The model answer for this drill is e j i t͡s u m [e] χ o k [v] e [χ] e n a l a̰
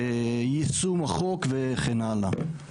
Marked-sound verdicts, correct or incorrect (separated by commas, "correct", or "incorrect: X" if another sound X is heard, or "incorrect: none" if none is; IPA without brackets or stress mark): incorrect: a, correct, correct